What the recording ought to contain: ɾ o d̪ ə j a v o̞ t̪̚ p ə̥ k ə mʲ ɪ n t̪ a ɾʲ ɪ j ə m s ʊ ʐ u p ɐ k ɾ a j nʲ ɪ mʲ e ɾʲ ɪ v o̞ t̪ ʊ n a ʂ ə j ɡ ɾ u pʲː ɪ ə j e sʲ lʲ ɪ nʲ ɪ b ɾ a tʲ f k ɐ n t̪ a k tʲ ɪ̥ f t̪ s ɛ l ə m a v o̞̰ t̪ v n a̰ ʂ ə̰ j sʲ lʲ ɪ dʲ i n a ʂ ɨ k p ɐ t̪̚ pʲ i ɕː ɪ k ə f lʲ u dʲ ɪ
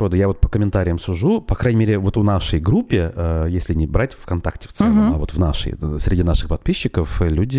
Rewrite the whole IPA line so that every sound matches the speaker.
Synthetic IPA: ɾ o d̪ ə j a v o̞ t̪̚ p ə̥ k ə mʲ ɪ n t̪ a ɾʲ ɪ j ə m s ʊ ʐ u p ɐ k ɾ a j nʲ ɪ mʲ e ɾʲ ɪ v o̞ t̪ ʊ n a ʂ ə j ɡ ɾ u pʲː ɪ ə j e sʲ lʲ ɪ nʲ ɪ b ɾ a tʲ f k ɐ n t̪ a k tʲ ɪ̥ f t̪ s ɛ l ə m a v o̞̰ t̪ v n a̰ ʂ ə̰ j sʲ ɾʲ ɪ dʲ i n a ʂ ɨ x p ɐ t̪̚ pʲ i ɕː ɪ k ə f lʲ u dʲ ɪ